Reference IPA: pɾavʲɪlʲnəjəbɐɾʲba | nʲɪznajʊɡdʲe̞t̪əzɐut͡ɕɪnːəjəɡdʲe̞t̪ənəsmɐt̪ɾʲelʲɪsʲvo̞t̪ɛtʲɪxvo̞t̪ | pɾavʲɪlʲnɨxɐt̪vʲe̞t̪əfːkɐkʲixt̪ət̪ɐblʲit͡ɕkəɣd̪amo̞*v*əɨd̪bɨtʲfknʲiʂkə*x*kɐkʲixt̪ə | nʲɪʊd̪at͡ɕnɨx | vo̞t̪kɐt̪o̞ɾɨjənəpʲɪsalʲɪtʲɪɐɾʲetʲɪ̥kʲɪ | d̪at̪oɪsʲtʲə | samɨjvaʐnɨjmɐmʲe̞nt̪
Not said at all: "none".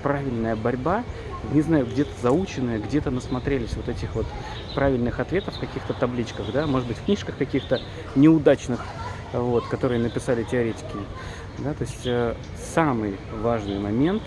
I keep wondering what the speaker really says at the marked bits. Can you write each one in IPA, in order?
ʐ, x

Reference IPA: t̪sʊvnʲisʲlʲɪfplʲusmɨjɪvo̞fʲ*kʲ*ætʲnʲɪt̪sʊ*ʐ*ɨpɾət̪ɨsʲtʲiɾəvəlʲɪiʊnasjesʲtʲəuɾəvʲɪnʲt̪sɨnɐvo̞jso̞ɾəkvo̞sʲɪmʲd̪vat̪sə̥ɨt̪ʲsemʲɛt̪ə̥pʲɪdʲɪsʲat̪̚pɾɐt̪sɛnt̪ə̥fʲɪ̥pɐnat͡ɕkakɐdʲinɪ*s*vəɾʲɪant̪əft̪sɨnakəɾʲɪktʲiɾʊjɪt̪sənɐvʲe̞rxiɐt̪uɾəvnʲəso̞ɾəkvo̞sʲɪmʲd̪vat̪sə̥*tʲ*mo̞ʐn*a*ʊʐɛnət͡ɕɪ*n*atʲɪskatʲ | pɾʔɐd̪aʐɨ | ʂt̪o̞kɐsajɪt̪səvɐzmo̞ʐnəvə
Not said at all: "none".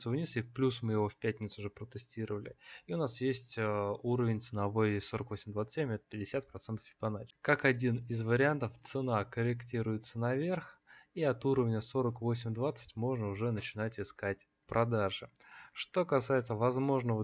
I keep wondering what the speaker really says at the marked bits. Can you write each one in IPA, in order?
pʲ, ʐ, z, tʲ, ə, n

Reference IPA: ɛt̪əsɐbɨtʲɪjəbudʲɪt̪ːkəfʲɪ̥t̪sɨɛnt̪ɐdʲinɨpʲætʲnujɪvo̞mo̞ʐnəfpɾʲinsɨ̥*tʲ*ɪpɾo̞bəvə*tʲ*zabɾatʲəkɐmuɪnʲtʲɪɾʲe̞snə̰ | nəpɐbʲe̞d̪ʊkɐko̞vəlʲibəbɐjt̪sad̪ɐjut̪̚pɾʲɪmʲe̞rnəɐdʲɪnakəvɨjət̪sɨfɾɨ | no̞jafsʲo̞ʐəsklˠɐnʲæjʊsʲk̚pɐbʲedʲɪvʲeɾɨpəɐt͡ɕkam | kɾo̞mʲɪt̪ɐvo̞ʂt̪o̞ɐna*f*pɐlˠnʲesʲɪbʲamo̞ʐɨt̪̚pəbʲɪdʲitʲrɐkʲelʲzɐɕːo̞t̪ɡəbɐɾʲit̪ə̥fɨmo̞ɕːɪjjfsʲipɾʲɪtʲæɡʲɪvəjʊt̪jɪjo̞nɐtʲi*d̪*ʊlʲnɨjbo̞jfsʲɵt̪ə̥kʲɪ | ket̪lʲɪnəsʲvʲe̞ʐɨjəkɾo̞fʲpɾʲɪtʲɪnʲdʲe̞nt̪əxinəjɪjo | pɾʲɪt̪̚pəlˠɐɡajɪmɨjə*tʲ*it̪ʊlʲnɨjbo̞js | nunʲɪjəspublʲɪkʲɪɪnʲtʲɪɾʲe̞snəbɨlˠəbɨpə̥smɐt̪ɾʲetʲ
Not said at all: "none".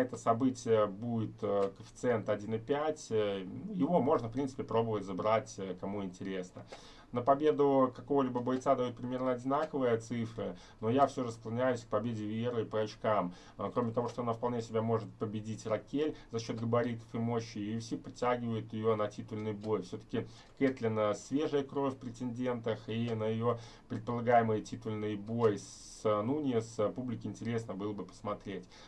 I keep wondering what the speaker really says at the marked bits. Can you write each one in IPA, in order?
pʲ, tʲ, f, t̪, tʲ

